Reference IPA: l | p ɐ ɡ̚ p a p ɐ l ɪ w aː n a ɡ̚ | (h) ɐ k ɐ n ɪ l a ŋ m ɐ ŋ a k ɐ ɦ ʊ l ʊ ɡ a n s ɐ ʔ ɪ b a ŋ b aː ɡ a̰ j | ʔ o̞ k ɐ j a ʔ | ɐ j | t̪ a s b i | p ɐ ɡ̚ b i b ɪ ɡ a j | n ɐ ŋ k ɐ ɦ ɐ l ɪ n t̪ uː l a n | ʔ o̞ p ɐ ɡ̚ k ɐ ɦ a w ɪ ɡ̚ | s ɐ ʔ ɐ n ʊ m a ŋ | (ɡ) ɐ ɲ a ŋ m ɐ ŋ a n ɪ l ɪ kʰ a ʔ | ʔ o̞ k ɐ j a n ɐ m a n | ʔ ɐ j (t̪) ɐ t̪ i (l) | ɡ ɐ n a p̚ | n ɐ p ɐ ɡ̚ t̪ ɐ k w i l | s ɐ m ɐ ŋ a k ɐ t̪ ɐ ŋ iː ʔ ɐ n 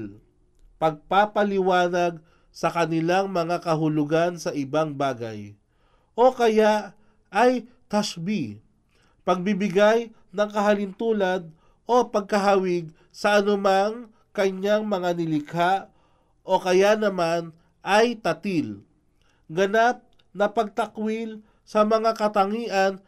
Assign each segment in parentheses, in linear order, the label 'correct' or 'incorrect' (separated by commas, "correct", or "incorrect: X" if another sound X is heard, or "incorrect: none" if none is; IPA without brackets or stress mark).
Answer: incorrect: s, incorrect: k, correct, correct